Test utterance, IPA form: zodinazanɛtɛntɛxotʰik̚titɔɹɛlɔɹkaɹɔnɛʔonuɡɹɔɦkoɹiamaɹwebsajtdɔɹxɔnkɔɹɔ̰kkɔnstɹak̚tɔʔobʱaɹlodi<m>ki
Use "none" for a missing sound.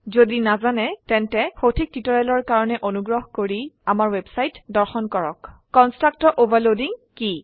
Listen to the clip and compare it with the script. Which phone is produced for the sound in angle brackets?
ŋ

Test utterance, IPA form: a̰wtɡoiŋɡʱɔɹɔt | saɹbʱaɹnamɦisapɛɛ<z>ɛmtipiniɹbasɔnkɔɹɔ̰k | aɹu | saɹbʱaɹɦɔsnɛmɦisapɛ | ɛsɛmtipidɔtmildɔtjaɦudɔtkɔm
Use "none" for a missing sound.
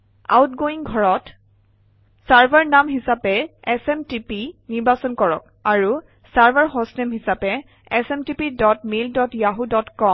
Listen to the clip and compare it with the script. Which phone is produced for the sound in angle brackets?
s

